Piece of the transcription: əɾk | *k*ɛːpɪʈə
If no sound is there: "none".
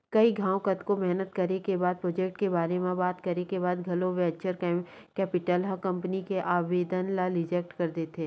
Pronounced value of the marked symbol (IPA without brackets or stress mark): k